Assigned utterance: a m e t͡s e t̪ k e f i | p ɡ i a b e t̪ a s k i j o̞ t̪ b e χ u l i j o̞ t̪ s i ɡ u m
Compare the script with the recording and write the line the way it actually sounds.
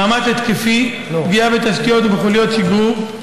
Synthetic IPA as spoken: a m a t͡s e t̪ k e f i | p ɡ i a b e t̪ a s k i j o̞ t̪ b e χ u l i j o̞ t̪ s i ɡ u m